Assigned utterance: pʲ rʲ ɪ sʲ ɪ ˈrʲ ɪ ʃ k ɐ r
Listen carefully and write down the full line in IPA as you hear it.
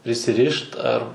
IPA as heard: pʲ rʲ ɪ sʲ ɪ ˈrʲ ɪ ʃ t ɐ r

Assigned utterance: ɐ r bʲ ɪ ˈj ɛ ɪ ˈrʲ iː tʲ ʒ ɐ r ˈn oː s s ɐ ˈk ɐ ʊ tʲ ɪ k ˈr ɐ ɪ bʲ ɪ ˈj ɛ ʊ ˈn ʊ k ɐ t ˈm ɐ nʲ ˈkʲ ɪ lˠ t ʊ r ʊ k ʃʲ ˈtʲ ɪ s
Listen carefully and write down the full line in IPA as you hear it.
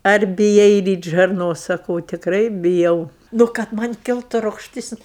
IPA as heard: ɐ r bʲ ɪ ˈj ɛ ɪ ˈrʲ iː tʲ ʒ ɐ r ˈn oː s s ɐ ˈk ɐ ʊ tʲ ɪ k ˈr ɐ ɪ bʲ ɪ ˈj ɛ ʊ ˈn ʊ k ɐ t ˈm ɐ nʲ ˈkʲ ɪ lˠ t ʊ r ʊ k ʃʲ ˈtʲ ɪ s

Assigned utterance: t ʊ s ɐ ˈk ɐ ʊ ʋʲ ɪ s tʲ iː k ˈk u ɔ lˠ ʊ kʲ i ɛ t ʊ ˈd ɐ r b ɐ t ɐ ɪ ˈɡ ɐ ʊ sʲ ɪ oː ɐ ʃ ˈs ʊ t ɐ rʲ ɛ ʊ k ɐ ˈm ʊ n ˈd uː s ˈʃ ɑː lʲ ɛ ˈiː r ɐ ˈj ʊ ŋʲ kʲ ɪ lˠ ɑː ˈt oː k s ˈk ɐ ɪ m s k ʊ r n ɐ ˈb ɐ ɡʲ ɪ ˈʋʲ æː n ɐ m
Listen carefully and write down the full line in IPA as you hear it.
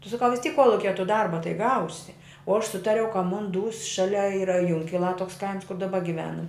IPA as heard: t ʊ s ɐ ˈk ɐ ʊ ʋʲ ɪ s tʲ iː k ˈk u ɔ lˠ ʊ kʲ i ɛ t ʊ ˈd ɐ r b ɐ t ɐ ɪ ˈɡ ɐ ʊ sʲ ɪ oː ɐ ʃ ˈs ʊ t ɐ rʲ ɛ ʊ k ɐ ˈm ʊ n ˈd uː s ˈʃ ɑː lʲ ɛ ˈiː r ɐ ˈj ʊ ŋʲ kʲ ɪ lˠ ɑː ˈt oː k s ˈk ɐ ɪ m s k ʊ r d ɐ ˈb ɐ ɡʲ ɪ ˈʋʲ æː n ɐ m

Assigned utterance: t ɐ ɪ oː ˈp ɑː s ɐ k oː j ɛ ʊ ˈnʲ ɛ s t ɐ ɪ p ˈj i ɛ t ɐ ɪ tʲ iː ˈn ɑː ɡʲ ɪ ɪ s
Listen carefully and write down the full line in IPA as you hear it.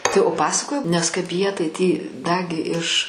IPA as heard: t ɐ ɪ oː ˈp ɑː s ɐ k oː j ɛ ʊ ˈnʲ ɛ s k ɐ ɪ p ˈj i ɛ t ɐ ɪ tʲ iː ˈd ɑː ɡʲ ɪ ɪ ʃ

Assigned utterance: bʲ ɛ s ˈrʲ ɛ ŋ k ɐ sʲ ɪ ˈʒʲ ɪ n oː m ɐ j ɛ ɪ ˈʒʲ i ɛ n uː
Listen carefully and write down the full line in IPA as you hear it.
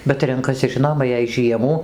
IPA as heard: bʲ ɛ t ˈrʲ ɛ ŋ k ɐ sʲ ɪ ˈʒʲ ɪ n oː m ɐ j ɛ ɪ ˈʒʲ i ɛ m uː

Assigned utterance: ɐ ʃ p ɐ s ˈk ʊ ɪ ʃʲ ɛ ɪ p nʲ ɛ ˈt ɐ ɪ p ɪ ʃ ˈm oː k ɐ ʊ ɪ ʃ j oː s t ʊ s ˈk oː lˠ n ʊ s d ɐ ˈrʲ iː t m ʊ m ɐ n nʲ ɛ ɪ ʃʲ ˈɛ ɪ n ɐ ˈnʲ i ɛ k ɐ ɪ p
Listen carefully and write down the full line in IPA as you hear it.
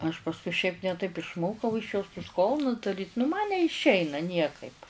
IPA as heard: ɐ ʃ p ɐ s ˈk ʊ ɪ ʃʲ ɛ ɪ p nʲ ɛ ˈt ɐ ɪ p ɪ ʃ ˈm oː k ɐ ʊ ɪ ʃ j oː s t ʊ s ˈk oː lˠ n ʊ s d ɐ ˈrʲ iː t n ʊ m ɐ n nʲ ɛ ɪ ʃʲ ˈɛ ɪ n ɐ ˈnʲ i ɛ k ɐ ɪ p

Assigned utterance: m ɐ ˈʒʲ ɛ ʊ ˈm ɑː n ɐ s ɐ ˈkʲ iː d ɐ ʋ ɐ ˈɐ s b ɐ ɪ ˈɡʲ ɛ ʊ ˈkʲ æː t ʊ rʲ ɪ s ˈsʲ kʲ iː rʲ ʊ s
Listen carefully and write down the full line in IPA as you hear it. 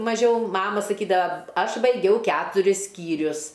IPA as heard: m ɐ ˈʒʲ ɛ ʊ ˈm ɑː m ɐ s ɐ ˈkʲ iː d ɐ ʋ ɐ ˈɐ ʃ b ɐ ɪ ˈɡʲ ɛ ʊ ˈkʲ æː t ʊ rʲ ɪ s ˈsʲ kʲ iː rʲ ʊ s

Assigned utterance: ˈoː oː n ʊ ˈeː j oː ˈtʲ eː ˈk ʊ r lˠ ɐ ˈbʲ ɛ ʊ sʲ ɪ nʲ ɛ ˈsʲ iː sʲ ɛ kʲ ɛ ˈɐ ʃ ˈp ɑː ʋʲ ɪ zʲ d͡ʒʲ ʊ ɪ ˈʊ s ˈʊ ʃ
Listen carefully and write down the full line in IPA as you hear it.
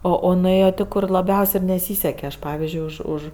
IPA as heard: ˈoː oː n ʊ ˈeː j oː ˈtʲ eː ˈk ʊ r lˠ ɐ ˈbʲ ɛ ʊ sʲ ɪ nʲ ɛ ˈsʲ iː sʲ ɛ kʲ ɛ ˈɐ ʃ ˈp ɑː ʋʲ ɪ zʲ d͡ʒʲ ʊ ɪ ˈʊ ʃ ˈʊ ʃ

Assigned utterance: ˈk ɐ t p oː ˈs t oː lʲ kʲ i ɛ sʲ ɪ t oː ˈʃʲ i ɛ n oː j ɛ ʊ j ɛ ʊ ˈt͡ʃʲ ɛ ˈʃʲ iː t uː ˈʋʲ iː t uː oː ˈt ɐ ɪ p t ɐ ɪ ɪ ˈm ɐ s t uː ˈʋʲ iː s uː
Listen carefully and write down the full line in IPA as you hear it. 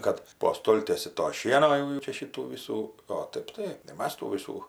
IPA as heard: ˈk ɐ t p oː ˈs t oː lʲ tʲ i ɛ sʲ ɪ t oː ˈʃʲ i ɛ n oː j ɛ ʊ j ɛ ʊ ˈt͡ʃʲ ɛ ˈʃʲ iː t uː ˈʋʲ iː s uː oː ˈt ɐ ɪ p t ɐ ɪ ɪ ˈm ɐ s t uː ˈʋʲ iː s uː

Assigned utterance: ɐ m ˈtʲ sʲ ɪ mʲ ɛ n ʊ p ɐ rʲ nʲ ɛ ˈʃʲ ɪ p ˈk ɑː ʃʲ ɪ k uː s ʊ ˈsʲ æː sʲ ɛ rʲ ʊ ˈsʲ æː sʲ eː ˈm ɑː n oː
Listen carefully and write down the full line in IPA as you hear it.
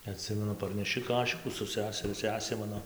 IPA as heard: ɐ ˈtʲ sʲ ɪ mʲ ɛ n ʊ p ɐ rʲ nʲ ɛ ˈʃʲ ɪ ˈk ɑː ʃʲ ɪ k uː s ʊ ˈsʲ æː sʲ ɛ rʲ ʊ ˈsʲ æː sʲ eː ˈm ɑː n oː

